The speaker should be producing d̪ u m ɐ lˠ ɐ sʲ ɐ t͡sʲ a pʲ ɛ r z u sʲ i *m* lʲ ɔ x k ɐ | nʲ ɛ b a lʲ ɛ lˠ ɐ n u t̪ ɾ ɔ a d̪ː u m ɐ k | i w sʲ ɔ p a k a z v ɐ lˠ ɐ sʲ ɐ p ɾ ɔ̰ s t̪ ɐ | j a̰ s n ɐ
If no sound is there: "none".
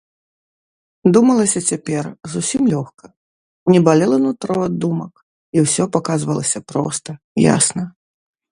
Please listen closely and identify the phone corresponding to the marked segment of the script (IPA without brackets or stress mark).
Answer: m